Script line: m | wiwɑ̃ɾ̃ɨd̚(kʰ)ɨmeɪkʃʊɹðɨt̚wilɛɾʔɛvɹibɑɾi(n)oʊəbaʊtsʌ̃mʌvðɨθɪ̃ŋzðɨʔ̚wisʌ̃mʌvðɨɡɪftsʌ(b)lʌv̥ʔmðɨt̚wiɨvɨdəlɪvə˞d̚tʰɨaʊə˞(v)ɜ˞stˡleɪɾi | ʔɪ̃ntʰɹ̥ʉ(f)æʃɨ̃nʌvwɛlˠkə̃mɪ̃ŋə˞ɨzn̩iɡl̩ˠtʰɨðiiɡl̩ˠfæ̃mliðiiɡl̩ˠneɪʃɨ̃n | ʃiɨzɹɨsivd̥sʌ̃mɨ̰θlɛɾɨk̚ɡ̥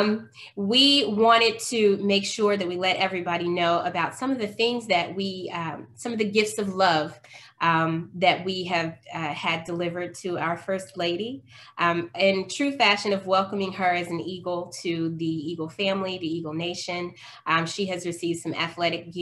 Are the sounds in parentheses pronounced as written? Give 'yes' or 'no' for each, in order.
no, yes, no, no, yes

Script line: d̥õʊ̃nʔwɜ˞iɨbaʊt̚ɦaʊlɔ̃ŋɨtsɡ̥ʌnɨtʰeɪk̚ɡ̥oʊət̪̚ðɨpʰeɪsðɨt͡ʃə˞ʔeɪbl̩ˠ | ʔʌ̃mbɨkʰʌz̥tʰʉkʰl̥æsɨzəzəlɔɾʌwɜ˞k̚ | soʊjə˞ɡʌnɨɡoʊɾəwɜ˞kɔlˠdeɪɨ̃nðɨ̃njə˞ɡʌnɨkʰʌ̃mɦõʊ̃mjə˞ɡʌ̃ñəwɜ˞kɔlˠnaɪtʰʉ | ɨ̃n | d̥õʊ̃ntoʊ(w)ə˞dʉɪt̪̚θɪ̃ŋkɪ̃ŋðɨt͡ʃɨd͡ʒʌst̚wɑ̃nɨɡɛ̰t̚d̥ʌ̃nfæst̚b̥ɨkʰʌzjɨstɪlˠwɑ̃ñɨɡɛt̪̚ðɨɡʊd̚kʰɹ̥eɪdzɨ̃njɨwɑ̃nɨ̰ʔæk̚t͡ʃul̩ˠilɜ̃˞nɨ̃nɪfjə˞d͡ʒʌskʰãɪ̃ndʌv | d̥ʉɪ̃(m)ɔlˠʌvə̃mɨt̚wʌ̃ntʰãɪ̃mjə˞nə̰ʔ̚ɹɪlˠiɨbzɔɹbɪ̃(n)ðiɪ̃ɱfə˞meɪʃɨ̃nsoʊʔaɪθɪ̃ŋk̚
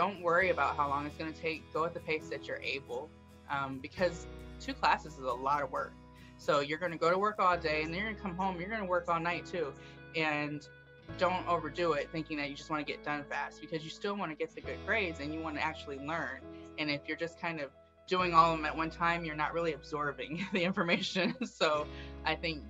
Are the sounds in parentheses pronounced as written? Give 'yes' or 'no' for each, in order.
no, no, no

